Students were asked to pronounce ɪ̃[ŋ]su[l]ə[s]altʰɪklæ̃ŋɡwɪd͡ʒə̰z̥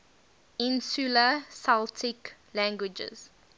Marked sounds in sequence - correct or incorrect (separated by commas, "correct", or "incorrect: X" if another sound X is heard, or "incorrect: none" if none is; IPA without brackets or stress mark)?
incorrect: n, correct, correct